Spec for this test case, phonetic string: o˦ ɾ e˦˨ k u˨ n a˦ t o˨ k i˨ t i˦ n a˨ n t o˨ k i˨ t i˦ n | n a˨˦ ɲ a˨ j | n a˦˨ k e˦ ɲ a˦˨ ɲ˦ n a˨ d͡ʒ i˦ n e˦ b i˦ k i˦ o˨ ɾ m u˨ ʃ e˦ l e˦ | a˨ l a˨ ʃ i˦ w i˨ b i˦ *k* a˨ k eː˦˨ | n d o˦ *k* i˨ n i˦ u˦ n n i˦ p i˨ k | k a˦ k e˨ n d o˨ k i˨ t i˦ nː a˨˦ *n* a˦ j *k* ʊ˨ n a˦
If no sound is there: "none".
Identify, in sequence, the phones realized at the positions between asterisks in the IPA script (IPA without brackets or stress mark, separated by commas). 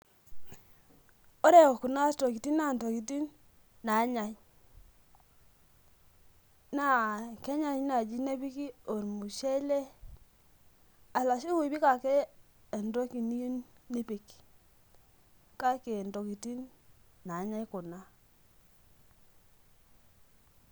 k, k, ɲ, k